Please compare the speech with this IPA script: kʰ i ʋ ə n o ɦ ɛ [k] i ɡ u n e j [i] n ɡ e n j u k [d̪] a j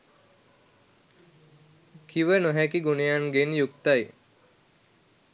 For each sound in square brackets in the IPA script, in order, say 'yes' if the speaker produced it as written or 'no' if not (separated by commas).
yes, no, no